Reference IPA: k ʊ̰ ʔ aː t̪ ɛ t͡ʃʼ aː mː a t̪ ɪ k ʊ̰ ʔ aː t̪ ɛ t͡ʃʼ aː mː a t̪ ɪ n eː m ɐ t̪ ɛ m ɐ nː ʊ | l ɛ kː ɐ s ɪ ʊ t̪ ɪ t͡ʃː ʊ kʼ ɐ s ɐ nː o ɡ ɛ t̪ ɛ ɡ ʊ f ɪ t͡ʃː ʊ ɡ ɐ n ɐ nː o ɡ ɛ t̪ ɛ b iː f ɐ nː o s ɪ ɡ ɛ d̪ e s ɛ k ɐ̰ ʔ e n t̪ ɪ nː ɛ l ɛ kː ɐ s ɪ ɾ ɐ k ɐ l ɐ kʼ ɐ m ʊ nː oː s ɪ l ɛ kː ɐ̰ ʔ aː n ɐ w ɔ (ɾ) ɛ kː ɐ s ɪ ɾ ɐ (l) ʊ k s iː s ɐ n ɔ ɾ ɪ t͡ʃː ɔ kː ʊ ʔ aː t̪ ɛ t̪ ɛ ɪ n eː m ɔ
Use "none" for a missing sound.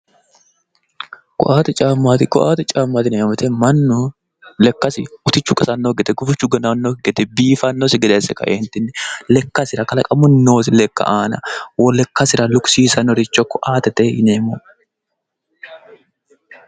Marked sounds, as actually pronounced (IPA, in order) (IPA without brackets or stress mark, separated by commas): l, l